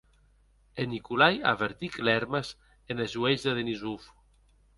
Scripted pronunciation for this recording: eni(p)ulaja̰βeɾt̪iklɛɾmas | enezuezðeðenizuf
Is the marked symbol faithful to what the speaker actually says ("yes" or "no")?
no